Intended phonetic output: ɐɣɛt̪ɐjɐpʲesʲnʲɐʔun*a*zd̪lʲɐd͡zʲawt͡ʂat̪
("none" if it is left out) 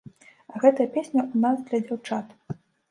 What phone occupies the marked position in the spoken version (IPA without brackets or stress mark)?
a